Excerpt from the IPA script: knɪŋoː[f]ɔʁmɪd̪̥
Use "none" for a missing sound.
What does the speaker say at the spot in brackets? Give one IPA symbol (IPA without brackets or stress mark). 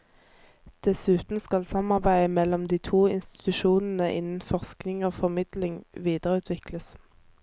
f